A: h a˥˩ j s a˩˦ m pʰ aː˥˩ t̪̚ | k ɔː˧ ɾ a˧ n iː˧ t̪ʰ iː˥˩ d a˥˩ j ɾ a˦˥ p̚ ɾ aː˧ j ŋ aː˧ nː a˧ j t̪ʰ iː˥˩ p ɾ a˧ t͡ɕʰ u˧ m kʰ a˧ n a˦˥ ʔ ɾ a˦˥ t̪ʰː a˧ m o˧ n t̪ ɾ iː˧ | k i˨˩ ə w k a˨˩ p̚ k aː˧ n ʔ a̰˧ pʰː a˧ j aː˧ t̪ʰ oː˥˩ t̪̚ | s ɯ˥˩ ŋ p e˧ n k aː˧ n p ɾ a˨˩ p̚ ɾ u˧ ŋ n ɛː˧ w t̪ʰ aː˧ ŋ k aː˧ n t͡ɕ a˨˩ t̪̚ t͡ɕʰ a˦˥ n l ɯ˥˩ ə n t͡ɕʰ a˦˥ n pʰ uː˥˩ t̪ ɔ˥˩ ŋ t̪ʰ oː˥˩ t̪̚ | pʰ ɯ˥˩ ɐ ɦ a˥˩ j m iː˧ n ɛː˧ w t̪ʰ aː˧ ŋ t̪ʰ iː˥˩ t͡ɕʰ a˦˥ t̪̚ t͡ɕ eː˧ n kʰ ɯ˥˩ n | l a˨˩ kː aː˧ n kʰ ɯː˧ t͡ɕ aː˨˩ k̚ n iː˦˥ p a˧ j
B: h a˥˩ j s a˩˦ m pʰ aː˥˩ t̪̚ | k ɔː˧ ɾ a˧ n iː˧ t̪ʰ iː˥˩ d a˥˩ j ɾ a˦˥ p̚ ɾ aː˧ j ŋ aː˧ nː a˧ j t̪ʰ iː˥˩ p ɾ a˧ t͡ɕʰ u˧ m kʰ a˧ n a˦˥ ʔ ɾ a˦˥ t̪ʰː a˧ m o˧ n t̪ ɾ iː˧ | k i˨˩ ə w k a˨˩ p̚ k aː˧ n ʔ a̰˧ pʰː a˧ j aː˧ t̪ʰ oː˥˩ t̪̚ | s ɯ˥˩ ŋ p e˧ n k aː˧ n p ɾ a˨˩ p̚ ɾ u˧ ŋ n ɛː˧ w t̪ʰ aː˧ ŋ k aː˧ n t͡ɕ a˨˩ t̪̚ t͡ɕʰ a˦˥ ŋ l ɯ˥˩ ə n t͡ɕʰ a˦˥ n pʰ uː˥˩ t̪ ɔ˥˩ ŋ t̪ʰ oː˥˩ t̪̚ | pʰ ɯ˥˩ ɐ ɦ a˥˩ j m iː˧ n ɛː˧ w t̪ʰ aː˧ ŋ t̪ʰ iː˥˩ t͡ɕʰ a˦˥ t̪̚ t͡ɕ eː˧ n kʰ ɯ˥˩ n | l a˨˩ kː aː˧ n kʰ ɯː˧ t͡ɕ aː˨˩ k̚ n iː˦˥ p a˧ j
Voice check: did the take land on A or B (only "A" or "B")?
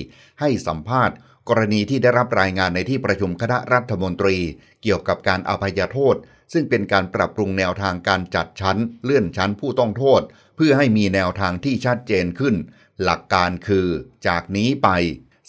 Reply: A